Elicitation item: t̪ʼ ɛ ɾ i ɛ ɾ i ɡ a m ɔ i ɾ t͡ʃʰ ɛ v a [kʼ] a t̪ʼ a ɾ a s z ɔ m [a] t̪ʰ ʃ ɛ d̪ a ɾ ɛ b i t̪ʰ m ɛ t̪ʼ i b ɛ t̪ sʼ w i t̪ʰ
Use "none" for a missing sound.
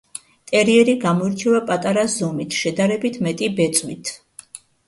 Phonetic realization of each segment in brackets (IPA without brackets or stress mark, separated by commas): pʼ, i